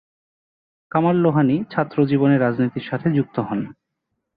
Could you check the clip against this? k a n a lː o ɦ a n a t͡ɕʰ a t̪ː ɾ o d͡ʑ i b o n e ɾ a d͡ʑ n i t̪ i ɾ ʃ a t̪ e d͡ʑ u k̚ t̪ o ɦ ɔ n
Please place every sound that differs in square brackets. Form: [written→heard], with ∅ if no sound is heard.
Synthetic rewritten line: k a [n→m] a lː o ɦ a n [a→i] t͡ɕʰ a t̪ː ɾ o d͡ʑ i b o n e ɾ a d͡ʑ n i t̪ i ɾ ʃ a [t̪→t̪ʰ] e d͡ʑ u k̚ t̪ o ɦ ɔ n